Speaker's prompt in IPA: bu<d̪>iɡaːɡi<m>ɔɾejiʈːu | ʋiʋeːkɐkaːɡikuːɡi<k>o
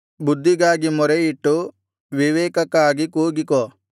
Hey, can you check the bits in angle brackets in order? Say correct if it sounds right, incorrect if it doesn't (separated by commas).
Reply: incorrect, correct, correct